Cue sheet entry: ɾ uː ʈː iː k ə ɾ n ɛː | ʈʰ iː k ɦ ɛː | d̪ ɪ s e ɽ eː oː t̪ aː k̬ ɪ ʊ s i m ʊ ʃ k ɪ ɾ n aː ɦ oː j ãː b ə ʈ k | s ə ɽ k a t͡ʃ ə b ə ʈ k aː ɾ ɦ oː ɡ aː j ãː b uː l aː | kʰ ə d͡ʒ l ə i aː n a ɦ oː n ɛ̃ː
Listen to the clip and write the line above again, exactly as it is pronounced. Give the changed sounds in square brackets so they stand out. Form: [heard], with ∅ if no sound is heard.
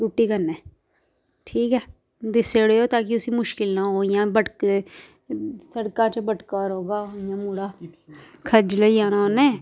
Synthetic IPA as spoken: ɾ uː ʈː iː k ə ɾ n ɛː | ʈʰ iː k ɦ ɛː | d̪ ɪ s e ɽ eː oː t̪ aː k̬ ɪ ʊ s i m ʊ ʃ k ɪ [l] n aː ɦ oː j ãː b ə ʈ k | s ə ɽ k a t͡ʃ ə b ə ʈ k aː ɾ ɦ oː ɡ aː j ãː [m] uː [ɽ] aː | kʰ ə d͡ʒ l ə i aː n a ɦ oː n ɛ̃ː